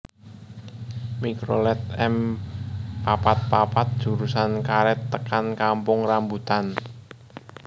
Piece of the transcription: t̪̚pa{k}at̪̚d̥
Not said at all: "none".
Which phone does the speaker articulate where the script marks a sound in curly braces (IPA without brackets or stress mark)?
p